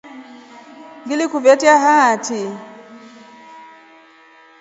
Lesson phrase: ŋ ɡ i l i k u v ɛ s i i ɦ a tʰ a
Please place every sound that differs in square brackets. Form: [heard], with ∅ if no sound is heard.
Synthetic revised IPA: ŋ ɡ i l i k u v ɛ [t] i [a] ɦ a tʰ [i]